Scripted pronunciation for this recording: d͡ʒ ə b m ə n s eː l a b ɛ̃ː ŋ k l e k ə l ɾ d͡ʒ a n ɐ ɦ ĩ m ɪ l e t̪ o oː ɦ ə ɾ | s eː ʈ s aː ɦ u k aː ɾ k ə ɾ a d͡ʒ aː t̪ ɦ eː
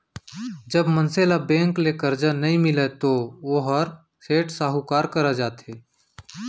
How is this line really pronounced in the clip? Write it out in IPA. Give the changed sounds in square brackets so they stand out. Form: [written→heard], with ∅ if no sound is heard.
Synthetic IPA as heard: d͡ʒ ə b m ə n s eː l a b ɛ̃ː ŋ k l e k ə [l→∅] ɾ d͡ʒ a n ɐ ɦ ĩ m ɪ l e t̪ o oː ɦ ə ɾ | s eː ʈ s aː ɦ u k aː ɾ k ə ɾ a d͡ʒ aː t̪ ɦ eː